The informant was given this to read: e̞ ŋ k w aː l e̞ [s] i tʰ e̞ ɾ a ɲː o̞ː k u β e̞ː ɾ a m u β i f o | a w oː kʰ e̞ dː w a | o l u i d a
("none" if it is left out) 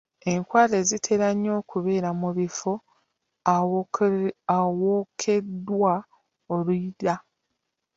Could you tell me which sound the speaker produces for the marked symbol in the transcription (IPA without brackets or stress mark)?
z